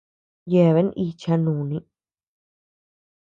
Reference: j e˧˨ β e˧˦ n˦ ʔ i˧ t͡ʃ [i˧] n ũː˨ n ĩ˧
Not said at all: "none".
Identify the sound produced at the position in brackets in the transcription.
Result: a˧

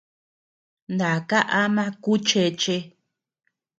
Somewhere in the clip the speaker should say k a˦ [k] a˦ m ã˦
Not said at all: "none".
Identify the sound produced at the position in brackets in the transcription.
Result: ʔ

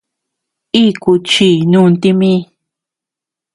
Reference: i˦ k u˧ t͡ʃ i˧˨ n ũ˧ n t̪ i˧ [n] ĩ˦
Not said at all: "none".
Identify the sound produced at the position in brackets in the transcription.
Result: m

